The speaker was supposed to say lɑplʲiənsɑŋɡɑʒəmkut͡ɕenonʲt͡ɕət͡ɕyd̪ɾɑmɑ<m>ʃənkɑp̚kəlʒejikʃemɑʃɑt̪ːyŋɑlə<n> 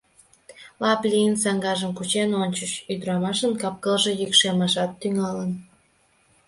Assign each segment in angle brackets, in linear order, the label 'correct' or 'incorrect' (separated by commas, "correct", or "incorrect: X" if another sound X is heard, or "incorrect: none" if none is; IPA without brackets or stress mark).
incorrect: none, correct